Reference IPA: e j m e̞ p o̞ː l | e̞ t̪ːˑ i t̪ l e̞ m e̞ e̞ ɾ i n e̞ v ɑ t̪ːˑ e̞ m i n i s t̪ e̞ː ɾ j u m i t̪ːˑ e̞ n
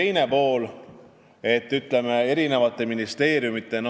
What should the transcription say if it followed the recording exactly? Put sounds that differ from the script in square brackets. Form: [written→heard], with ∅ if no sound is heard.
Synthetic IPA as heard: e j [m→n] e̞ p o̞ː l | e̞ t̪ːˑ [i→y] t̪ l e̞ m e̞ e̞ ɾ i n e̞ v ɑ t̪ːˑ e̞ m i n i s t̪ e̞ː ɾ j u m i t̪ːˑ e̞ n